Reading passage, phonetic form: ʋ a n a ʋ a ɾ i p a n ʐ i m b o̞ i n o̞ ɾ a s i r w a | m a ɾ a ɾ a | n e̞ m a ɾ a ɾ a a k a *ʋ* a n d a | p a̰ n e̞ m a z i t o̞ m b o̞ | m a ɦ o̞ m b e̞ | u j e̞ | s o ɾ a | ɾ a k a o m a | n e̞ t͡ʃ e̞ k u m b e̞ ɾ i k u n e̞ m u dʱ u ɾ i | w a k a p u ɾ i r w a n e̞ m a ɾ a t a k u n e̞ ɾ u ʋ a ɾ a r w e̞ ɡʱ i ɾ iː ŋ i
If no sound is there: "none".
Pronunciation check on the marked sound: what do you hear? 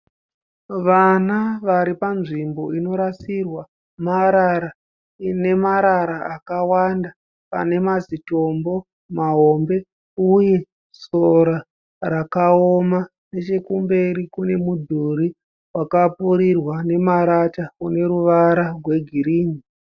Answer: w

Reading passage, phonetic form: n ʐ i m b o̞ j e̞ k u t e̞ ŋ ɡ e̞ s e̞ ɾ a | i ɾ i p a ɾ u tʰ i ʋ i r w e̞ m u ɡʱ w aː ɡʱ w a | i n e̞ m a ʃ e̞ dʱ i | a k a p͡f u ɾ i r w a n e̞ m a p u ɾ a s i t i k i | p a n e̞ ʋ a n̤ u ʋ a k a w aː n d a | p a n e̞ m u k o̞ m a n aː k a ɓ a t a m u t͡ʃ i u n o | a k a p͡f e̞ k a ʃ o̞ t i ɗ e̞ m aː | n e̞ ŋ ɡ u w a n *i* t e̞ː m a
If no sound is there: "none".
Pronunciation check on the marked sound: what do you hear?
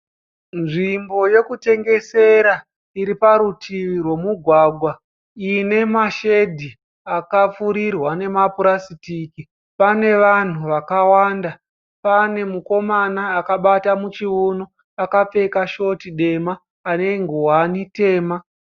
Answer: i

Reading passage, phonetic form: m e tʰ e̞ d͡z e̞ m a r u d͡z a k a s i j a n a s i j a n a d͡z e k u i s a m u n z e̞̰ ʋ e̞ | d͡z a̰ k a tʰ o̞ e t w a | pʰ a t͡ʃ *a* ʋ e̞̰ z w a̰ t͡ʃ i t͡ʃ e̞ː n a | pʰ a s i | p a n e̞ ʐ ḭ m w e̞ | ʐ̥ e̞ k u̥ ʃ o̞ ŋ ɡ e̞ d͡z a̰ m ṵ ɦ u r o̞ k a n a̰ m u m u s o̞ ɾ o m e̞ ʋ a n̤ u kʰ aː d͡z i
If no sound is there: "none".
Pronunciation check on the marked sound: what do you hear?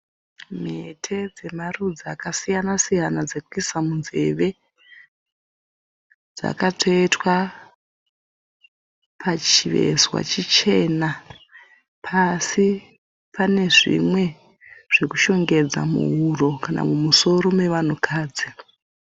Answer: i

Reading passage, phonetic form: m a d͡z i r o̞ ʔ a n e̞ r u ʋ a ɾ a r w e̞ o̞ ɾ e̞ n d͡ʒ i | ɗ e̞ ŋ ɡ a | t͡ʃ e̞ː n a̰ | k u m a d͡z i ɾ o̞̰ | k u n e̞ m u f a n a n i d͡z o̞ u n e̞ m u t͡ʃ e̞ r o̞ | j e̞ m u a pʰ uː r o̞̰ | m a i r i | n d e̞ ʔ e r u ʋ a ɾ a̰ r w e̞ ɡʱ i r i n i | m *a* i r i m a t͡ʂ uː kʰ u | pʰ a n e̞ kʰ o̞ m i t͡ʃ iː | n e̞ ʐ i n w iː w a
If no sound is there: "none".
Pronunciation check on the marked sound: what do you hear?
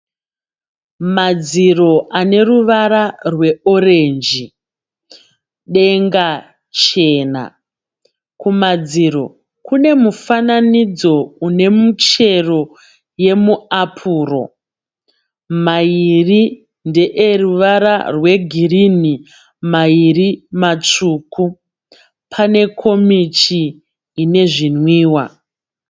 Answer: a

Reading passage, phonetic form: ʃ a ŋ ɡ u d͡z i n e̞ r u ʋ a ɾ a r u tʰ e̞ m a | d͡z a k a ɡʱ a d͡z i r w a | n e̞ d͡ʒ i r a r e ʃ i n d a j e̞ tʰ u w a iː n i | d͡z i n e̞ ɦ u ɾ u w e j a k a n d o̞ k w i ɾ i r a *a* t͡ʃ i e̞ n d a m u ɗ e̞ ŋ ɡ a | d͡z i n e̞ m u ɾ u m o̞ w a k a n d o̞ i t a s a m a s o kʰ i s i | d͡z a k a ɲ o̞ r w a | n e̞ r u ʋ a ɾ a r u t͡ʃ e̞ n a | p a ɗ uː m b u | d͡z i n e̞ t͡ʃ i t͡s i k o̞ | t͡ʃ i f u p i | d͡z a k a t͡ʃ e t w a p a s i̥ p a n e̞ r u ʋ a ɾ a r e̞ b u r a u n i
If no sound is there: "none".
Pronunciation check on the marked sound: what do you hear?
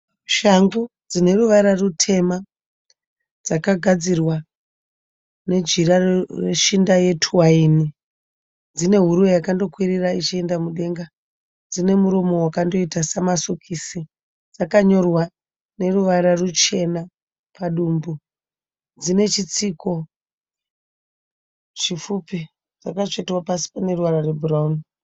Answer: i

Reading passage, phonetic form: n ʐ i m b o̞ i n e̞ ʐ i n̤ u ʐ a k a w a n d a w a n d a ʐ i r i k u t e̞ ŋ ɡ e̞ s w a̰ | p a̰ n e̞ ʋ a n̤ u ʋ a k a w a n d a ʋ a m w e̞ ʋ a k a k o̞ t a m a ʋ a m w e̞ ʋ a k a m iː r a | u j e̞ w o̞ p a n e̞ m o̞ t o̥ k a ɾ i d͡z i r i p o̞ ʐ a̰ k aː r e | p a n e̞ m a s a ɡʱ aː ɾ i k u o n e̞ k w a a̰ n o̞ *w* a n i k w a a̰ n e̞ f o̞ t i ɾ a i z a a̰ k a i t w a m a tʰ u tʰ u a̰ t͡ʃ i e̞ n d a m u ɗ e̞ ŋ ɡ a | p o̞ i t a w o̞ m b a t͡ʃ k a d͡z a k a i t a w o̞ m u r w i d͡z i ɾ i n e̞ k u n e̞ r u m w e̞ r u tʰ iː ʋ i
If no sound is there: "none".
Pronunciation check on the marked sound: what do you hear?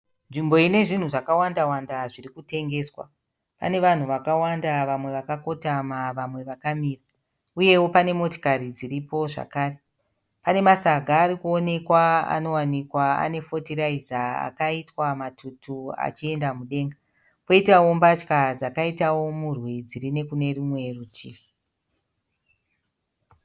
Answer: w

